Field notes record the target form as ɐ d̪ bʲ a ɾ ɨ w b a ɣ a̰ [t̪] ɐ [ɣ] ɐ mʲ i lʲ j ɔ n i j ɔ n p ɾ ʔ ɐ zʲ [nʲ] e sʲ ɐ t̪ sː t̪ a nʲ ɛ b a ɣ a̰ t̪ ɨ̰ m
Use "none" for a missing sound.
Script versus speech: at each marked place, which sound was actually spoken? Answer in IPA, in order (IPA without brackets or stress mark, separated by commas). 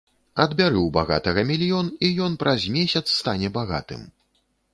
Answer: t̪, ɣ, mʲ